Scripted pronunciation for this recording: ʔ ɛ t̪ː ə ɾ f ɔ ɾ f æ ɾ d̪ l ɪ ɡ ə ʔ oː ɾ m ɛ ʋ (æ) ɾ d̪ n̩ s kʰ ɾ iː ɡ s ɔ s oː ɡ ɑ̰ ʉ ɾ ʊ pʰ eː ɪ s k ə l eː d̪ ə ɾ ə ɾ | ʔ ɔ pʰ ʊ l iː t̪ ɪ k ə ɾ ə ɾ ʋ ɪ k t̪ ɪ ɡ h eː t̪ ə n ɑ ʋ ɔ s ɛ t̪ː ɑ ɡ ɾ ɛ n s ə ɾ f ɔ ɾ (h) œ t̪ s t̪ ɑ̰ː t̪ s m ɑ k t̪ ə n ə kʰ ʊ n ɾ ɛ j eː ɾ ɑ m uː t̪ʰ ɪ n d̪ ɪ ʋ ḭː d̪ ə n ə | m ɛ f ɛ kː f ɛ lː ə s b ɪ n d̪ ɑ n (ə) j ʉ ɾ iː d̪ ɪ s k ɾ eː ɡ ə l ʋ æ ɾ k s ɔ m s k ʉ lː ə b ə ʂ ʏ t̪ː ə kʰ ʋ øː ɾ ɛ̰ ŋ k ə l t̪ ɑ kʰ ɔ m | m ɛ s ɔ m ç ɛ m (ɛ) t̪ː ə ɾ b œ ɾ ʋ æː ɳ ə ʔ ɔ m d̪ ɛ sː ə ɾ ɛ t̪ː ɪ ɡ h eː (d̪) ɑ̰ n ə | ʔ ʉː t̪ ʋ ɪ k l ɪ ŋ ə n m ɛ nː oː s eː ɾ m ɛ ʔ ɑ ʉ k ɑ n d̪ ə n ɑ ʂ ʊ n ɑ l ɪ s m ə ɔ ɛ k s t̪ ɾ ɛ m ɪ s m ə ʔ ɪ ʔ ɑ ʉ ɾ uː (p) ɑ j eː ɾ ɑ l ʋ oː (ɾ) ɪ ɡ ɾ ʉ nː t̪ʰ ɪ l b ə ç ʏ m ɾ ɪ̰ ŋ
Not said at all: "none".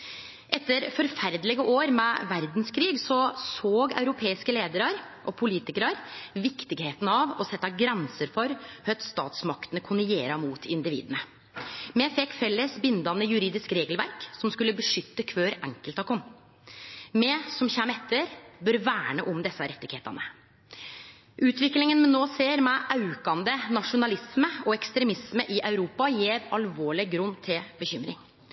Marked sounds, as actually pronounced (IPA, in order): æ, h, ə, ɛ, t̪, p, ɭ

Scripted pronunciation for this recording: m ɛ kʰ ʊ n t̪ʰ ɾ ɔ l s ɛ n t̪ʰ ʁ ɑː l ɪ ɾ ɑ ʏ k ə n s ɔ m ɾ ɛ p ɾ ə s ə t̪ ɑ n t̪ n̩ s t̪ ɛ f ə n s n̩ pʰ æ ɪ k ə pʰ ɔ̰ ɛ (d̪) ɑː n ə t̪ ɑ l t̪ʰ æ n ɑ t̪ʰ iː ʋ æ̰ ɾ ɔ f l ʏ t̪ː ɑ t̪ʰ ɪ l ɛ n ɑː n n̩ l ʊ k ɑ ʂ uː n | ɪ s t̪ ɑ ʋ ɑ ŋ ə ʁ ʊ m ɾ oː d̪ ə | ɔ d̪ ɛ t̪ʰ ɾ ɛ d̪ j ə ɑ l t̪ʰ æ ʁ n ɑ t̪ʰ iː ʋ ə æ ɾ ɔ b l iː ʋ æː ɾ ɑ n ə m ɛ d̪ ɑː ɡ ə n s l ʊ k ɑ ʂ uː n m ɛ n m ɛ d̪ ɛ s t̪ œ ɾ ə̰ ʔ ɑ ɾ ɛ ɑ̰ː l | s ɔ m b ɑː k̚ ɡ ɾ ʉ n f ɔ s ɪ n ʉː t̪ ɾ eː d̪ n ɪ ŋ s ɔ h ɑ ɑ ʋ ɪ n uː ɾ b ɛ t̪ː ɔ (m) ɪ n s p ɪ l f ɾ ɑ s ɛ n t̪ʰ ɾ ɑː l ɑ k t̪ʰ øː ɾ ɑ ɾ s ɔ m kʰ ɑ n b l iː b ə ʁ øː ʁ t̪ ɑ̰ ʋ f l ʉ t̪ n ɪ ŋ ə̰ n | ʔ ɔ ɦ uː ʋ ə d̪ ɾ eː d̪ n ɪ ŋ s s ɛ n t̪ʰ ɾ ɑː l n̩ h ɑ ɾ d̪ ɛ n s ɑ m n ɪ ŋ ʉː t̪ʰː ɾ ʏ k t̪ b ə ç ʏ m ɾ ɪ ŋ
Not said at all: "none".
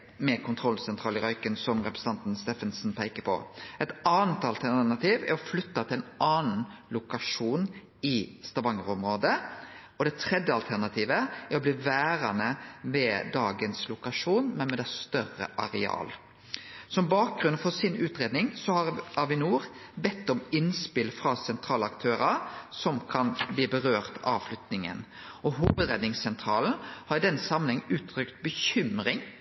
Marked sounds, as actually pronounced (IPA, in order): t̪, m

